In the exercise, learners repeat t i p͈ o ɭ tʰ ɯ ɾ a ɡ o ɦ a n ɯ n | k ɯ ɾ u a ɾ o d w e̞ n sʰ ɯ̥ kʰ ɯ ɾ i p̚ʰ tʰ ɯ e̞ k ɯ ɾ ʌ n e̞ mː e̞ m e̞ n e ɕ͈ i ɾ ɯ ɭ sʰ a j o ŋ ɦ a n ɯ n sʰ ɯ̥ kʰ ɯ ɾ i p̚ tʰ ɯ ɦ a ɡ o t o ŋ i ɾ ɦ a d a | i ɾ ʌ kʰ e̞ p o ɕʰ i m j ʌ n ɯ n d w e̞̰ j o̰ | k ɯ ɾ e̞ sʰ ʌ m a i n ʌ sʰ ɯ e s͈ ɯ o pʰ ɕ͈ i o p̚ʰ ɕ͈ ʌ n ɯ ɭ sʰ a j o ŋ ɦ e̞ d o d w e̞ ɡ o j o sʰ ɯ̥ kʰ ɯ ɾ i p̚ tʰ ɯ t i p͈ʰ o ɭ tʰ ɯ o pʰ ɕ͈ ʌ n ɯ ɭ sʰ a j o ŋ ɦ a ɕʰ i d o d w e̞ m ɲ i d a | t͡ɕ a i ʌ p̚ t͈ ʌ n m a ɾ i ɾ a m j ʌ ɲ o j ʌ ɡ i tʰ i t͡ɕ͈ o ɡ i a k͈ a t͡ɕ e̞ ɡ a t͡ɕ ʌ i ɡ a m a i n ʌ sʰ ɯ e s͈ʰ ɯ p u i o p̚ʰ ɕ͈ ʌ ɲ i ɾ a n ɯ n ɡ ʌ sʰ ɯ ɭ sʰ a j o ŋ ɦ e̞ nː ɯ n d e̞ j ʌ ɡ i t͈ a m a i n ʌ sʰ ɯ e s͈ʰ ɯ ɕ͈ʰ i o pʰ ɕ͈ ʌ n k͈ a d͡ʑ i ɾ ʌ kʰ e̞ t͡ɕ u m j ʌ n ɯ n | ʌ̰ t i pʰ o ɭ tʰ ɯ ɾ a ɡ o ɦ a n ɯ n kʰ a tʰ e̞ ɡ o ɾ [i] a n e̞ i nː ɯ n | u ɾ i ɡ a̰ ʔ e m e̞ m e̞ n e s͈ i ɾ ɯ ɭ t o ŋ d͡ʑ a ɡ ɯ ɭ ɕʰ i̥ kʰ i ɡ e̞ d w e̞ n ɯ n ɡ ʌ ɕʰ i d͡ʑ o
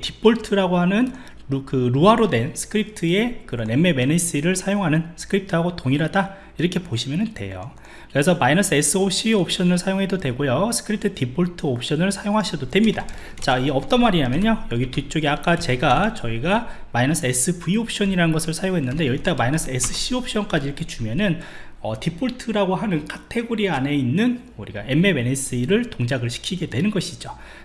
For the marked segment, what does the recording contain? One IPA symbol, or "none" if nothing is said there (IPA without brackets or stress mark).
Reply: i